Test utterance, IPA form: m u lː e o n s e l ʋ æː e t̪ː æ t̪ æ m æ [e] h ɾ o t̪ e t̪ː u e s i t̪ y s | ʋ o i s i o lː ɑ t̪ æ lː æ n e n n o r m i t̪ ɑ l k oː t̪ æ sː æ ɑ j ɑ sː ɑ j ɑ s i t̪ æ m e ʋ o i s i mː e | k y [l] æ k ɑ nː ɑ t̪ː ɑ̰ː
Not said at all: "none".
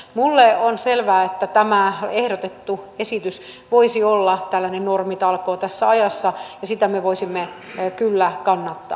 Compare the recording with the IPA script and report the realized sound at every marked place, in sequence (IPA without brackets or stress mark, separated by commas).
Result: e, lː